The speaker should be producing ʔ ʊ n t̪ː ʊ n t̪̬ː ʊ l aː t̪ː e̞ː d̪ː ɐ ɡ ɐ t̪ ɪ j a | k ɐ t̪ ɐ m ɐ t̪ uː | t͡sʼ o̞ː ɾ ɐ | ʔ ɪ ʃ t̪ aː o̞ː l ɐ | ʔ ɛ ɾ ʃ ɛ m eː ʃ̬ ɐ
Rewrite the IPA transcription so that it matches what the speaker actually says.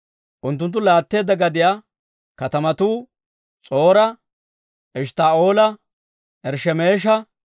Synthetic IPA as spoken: ʔ ʊ n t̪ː ʊ n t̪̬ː ʊ l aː t̪ː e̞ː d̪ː ɐ ɡ ɐ d̪ ɪ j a | k ɐ t̪ ɐ m ɐ t̪ uː | t͡sʼ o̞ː ɾ ɐ | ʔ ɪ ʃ t̪ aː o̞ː l ɐ | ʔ ɛ ɾ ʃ ɛ m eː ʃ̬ ɐ

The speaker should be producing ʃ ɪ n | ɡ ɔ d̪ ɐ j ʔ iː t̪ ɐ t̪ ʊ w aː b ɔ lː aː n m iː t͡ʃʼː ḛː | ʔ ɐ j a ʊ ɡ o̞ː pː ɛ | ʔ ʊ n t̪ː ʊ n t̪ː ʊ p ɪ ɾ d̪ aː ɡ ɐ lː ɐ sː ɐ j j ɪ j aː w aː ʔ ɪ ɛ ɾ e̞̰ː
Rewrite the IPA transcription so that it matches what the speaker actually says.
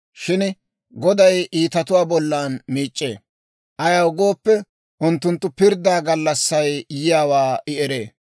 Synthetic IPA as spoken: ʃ ɪ n | ɡ ɔ d̪ ɐ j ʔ iː t̪ ɐ t̪ ʊ w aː b ɔ lː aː n m iː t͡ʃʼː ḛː | ʔ ɐ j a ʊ ɡ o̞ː pː ɛ | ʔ ʊ n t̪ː ʊ n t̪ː ʊ p ɪ ɾ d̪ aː ɡ ɐ lː ɐ sː ɐ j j ɪ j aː w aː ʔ ɪ ɛ ɾ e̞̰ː

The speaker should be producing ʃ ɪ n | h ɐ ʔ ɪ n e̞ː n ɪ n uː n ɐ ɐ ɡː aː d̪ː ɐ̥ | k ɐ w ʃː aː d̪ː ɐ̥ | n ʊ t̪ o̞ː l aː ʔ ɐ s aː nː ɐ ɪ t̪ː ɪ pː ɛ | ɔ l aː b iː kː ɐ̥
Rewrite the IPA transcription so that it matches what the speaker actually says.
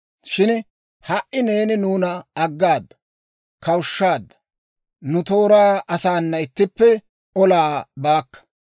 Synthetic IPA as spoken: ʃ ɪ n | h ɐ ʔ ɪ n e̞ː n ɪ n uː n ɐ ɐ ɡː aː d̪ː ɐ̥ | k ɐ w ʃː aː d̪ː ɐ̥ | n ʊ t̪ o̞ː ɾ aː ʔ ɐ s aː nː ɐ ɪ t̪ː ɪ pː ɛ | ɔ l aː b aː kː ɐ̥

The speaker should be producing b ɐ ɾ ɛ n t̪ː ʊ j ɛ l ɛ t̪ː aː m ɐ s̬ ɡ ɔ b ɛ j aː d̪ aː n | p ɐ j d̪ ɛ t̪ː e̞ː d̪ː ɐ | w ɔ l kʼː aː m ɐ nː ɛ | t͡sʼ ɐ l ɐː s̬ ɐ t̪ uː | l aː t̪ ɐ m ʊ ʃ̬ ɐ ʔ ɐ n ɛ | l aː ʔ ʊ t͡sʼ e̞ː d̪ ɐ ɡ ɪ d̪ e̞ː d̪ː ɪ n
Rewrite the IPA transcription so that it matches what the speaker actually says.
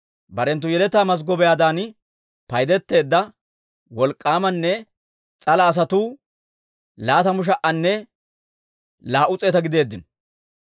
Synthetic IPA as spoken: b ɐ ɾ ɛ n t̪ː ʊ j ɛ l ɛ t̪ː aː m ɐ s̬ ɡ ɔ b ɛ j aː d̪ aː n | p ɐ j d̪ ɛ t̪ː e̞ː d̪ː ɐ | w ɔ l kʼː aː m ɐ nː ɛ | t͡sʼ ɐ l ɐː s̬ ɐ t̪ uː | l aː t̪ ɐ m ʊ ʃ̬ ɐ ʔ ɐ nː ɛ | l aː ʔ ʊ t͡sʼ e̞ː t̪ ɐ ɡ ɪ d̪ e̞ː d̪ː ɪ n

